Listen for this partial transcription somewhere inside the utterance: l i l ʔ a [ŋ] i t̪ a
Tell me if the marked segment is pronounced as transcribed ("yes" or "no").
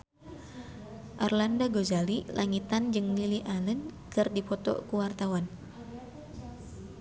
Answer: yes